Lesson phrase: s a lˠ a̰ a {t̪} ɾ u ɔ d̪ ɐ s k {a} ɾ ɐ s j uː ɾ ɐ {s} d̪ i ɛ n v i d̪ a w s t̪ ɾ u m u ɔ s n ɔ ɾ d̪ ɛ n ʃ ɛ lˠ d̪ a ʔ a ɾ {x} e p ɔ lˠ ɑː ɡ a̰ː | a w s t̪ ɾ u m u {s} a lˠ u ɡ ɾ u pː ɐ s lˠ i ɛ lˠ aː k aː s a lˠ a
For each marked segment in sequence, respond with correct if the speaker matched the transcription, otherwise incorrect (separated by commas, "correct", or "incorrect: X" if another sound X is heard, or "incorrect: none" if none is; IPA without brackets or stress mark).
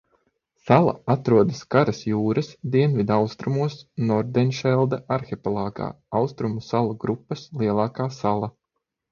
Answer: correct, correct, correct, correct, correct